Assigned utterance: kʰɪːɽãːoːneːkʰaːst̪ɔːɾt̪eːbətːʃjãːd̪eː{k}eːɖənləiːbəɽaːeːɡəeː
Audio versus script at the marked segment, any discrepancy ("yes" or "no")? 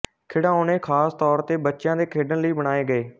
yes